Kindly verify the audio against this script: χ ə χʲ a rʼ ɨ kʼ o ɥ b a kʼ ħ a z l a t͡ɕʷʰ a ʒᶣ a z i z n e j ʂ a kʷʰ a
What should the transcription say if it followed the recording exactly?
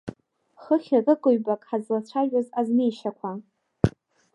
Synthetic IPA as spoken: χ ə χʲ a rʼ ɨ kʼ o ɥ b a kʼ ħ a z l a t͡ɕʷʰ a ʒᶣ a z a z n e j ʃ a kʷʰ a